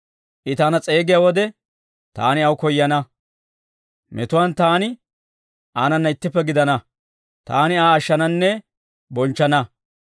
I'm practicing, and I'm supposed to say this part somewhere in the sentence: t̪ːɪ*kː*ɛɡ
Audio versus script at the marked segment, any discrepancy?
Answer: yes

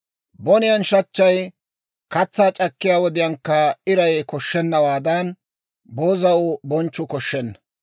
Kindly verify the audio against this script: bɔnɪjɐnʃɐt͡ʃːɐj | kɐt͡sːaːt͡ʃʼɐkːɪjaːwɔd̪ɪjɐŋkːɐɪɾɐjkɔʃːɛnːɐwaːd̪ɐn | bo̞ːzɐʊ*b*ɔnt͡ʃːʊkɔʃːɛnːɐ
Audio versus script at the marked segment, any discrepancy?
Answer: no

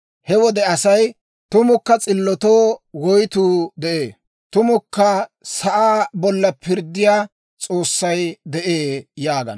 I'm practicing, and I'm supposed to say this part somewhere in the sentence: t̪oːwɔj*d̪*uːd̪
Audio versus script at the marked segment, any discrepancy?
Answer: yes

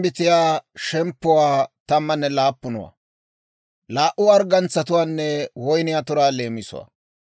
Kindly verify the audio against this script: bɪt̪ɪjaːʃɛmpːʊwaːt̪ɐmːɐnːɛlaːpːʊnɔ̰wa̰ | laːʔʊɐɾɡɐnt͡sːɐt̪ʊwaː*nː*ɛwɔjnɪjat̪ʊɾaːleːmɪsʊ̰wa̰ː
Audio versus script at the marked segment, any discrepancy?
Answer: no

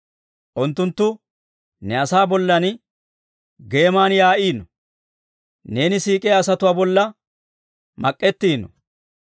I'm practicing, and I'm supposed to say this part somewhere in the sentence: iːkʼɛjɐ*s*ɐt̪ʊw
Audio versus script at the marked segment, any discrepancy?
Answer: no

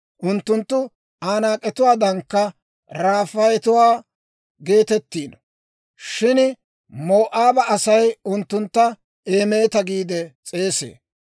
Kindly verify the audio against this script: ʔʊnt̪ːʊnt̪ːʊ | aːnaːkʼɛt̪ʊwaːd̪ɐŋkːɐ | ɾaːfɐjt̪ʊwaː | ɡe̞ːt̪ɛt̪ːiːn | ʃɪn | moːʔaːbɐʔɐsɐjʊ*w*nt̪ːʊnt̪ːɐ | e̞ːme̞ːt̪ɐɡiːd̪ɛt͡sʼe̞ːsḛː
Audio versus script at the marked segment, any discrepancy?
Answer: yes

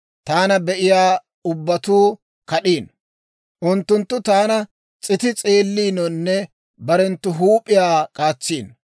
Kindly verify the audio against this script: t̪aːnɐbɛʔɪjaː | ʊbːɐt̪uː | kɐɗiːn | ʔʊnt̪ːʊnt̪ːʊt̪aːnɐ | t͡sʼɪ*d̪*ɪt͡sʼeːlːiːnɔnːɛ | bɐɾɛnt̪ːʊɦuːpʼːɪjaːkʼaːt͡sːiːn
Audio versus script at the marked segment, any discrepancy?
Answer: yes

